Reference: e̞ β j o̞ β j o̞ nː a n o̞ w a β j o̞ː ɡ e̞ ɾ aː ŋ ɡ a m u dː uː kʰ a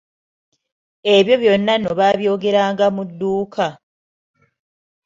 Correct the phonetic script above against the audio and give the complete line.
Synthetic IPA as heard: e̞ β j o̞ β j o̞ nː a n o̞ β a β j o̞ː ɡ e̞ ɾ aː ŋ ɡ a m u dː uː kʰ a

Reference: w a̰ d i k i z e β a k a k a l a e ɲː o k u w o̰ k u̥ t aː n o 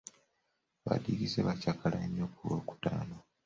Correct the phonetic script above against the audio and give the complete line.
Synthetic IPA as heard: β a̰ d i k i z e β a c a k a l a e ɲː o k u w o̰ k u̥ t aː n o

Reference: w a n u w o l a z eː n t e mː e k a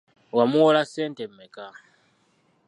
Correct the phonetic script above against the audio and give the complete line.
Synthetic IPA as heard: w a m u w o l a s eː n t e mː e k a

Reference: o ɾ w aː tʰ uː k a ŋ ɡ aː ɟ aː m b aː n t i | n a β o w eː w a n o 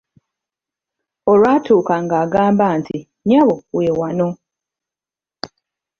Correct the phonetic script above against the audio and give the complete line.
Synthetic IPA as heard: o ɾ w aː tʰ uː k a ŋ ɡ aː ɡ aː m b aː n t i | ɲ a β o w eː w a n o

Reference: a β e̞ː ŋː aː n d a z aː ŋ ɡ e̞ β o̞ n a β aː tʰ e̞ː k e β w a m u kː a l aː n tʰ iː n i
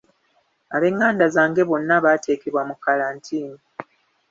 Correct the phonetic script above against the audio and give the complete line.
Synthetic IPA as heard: a β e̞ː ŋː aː n d a z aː ŋ ɡ e̞ β o̞ nː a β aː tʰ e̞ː k e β w a m u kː a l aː n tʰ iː n i

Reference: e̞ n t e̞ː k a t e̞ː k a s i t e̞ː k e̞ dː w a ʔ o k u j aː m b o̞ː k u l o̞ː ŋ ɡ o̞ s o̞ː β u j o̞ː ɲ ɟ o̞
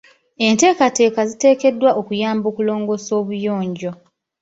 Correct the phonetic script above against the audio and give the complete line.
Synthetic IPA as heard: e̞ n t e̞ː k a t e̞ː k a z i t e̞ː k e̞ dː w a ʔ o k u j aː m b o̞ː k u l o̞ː ŋ ɡ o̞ s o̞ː β u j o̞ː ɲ ɟ o̞

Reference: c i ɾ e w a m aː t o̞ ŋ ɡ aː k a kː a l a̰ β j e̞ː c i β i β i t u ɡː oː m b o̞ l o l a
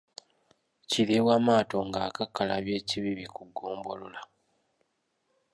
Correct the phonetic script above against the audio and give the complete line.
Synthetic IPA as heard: c i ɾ e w a m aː t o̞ ŋ ɡ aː k a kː a l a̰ β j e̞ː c i β i β i k u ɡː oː m b o̞ l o l a

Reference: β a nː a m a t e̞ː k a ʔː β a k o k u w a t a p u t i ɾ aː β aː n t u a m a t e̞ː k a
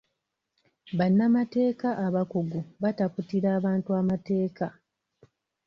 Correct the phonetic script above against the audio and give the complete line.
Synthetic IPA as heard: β a nː a m a t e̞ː k a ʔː β a k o ɡ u β a t a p u t i ɾ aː β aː n t u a m a t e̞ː k a

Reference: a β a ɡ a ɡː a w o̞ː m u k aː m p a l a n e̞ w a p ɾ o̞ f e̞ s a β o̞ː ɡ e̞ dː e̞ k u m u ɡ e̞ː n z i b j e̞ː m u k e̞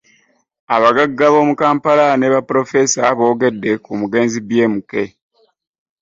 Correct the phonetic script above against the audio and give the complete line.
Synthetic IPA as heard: a β a ɡ a ɡː a β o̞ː m u k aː m p a l a n e̞ β a p ɾ o̞ f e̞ s a β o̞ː ɡ e̞ dː e̞ k u m u ɡ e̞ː n z i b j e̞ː m u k e̞

